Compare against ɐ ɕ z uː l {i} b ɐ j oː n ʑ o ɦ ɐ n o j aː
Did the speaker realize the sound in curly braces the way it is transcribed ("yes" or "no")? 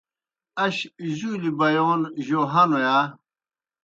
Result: yes